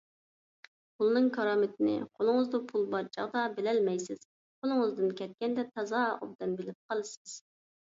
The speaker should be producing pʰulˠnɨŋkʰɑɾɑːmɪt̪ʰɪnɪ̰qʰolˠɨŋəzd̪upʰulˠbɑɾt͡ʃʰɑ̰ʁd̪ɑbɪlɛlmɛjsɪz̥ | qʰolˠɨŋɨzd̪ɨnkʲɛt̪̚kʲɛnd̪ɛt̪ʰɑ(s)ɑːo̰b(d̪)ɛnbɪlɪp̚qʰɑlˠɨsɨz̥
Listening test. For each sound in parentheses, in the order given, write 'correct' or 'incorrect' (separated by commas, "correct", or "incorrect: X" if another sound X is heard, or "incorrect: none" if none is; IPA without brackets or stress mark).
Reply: incorrect: z, correct